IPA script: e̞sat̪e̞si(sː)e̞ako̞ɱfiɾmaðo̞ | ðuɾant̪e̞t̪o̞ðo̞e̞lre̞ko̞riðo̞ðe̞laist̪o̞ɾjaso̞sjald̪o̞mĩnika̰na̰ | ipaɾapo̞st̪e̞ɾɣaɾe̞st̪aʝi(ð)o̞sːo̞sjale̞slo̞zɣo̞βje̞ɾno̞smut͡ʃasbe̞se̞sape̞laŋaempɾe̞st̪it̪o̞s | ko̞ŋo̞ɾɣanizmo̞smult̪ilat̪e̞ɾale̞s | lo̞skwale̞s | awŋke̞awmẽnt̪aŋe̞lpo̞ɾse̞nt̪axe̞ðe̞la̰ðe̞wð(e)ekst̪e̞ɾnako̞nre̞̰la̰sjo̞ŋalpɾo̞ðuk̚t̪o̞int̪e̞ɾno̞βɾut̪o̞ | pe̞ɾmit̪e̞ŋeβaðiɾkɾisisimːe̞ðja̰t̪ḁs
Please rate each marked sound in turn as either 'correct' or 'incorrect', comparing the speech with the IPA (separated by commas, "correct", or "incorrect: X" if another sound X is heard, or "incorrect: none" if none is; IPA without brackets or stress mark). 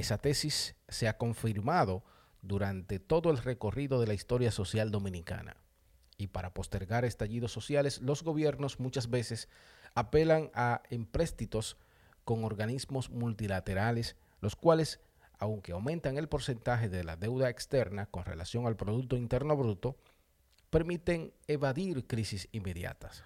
correct, correct, incorrect: a